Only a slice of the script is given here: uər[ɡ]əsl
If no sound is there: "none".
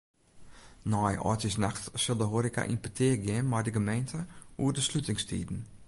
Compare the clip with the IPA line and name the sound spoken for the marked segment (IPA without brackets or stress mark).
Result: d